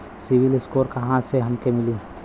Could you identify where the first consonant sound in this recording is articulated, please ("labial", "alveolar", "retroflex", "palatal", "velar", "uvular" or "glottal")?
alveolar